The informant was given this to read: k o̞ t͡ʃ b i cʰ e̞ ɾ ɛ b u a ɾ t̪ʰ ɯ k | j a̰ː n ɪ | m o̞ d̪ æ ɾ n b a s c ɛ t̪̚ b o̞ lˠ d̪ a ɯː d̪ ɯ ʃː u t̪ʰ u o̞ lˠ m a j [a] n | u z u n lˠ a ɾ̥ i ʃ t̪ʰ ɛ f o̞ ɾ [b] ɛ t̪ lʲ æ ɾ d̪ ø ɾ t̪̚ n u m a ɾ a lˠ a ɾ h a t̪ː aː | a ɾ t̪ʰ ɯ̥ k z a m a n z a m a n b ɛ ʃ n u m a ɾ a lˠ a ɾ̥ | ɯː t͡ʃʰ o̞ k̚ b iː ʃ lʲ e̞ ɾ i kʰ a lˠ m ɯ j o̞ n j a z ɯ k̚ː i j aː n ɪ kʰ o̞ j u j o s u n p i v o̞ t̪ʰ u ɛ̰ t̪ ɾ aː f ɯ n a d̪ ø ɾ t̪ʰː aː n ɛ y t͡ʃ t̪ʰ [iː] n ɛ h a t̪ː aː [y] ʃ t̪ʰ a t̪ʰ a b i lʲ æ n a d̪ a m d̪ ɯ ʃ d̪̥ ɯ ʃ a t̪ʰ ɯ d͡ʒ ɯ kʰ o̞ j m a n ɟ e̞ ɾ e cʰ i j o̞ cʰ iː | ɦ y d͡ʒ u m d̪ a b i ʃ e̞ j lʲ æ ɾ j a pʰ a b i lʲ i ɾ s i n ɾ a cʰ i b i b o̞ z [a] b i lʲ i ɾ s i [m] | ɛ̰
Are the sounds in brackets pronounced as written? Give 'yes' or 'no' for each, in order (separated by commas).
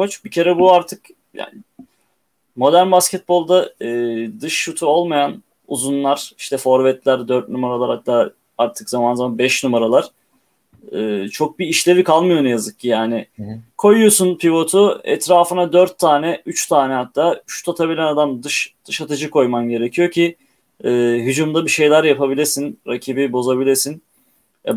yes, no, no, yes, yes, no